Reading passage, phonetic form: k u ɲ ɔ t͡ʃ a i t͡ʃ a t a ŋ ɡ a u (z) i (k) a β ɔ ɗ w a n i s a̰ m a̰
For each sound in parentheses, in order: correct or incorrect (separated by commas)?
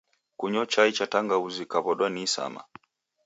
correct, correct